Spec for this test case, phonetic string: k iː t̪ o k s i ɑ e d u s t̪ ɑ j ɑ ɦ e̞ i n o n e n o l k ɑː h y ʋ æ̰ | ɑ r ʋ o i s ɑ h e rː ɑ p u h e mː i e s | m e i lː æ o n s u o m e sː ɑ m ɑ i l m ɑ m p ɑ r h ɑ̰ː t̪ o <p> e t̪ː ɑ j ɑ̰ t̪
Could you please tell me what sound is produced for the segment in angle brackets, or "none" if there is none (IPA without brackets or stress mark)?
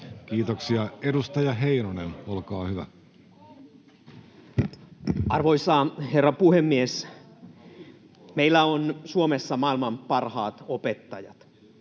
p